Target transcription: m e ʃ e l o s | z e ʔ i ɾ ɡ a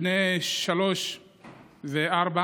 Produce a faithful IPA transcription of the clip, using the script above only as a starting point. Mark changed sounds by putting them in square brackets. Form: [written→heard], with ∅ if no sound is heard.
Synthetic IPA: [m→n] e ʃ [e→a] l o [s→ʃ] | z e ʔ [i→a] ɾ [ɡ→b] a